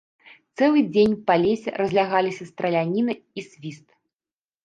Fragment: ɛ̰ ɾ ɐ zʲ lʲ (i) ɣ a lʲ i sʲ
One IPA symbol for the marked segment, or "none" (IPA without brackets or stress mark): a